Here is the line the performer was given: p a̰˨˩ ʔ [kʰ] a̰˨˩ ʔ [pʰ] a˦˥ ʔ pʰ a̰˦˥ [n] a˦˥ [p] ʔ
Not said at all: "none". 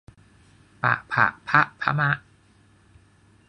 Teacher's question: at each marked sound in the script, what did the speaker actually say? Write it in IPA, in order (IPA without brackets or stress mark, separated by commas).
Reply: pʰ, pʰ, m, none